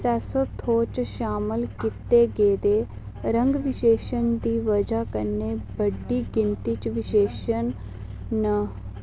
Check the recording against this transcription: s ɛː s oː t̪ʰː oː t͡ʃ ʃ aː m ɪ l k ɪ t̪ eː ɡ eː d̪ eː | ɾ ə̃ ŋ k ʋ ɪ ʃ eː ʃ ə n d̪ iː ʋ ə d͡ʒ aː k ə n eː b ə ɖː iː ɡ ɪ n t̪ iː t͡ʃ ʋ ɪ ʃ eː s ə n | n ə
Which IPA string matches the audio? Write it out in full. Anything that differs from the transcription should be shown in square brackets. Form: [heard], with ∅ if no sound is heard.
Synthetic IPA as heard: s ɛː s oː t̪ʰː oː t͡ʃ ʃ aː m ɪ l k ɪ t̪ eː ɡ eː d̪ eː | ɾ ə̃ ŋ [ɡ] ʋ ɪ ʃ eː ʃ ə n d̪ iː ʋ ə d͡ʒ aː k ə n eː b ə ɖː iː ɡ ɪ n t̪ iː t͡ʃ ʋ ɪ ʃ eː [ʃ] ə n | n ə

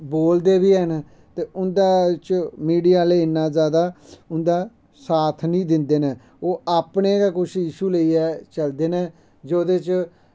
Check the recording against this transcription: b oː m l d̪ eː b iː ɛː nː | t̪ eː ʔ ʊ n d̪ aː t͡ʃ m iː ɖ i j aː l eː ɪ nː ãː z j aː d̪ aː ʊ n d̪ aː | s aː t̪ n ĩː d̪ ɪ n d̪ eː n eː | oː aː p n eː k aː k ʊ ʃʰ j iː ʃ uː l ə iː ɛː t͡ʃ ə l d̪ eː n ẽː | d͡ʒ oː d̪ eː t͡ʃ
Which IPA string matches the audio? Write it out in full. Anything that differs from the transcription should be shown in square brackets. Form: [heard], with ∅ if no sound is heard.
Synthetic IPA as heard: b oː [∅] l d̪ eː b iː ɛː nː | t̪ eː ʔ ʊ n d̪ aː t͡ʃ m iː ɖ i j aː l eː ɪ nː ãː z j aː d̪ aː ʊ n d̪ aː | s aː [t̪ʰ] n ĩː d̪ ɪ n d̪ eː n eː | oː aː p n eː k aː k ʊ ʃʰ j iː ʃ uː l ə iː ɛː t͡ʃ ə l d̪ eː n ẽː | d͡ʒ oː d̪ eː t͡ʃ

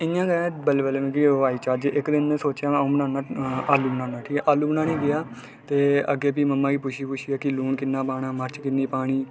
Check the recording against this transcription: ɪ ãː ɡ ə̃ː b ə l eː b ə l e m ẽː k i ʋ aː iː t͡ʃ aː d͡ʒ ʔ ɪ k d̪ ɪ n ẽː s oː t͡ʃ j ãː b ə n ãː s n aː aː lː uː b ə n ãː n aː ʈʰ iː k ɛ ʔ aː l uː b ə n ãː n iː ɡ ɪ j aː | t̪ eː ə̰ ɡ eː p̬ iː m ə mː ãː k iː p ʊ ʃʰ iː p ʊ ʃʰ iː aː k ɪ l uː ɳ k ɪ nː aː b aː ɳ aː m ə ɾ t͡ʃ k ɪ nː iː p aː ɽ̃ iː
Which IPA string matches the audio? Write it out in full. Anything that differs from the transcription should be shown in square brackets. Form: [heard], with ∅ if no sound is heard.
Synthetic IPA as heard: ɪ ãː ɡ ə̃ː b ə l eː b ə l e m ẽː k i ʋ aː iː t͡ʃ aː d͡ʒ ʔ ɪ k d̪ ɪ n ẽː s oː t͡ʃ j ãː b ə n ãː [∅] n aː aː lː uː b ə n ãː n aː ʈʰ iː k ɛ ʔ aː l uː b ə n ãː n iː ɡ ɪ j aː | t̪ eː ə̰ ɡ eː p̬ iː m ə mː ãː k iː p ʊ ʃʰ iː p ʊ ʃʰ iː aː k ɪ l uː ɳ k ɪ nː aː [p] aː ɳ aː m ə ɾ t͡ʃ k ɪ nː iː p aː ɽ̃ iː

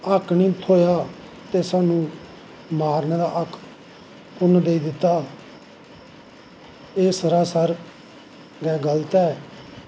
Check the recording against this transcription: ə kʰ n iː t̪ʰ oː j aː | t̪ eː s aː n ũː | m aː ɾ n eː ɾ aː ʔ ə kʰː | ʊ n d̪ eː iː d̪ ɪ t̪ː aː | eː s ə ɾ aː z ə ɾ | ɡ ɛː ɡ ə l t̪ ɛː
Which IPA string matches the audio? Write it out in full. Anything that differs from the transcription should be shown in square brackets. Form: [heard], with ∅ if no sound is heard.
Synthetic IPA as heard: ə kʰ n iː t̪ʰ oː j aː | t̪ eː s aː n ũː | m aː ɾ n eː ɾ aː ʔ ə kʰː | ʊ n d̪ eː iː d̪ ɪ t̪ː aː | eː s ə ɾ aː [s] ə ɾ | ɡ ɛː ɡ ə l t̪ ɛː

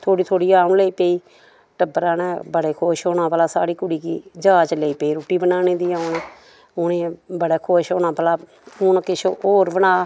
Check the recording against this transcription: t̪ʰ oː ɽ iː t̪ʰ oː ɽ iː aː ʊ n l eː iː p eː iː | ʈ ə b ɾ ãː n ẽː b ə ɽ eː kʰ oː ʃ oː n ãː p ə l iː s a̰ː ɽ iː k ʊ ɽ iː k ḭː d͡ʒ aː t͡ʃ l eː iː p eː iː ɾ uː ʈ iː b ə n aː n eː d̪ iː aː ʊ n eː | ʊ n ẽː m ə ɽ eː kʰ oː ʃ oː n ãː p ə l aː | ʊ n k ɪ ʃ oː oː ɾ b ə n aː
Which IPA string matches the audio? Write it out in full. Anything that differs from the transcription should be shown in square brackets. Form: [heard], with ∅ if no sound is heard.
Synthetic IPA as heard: t̪ʰ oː ɽ iː t̪ʰ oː ɽ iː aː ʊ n l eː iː p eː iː | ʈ ə b ɾ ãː n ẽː b ə ɽ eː kʰ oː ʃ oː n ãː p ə l [aː] s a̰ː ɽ iː k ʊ ɽ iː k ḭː d͡ʒ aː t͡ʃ l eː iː p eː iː ɾ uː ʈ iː b ə n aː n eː d̪ iː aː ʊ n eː | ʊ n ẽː [b] ə ɽ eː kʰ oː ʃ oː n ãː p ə l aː | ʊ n k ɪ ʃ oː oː ɾ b ə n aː

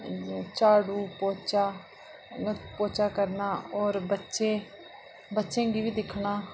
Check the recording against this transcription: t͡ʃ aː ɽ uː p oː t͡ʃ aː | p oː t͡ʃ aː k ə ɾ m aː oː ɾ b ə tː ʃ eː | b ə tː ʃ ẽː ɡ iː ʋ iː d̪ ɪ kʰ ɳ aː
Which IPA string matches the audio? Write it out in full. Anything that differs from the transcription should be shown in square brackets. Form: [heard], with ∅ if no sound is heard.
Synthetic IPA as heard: t͡ʃ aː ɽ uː p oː t͡ʃ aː | p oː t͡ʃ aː k ə ɾ [n] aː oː ɾ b ə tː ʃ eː | b ə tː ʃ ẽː ɡ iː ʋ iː d̪ ɪ kʰ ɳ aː

